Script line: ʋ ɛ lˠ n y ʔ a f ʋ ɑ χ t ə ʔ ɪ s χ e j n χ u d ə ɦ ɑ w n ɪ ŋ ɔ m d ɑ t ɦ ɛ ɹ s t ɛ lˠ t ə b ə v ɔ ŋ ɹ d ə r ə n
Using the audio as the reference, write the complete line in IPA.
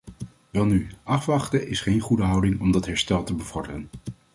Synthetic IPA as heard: ʋ ɛ lˠ n y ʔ ɑ f ʋ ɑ χ t ə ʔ ɪ s χ e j n χ u d ə ɦ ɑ w d ɪ ŋ ɔ m d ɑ t ɦ ɛ ɹ s t ɛ lˠ t ə b ə v ɔ ɹ d ə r ə n